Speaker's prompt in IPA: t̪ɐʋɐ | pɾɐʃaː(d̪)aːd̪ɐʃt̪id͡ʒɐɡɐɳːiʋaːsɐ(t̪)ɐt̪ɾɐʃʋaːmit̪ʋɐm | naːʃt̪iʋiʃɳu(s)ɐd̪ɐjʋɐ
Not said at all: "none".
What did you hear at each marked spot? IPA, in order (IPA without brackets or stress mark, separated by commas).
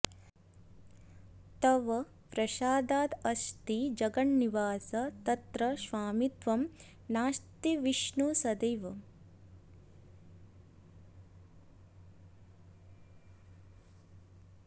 d̪, t̪, s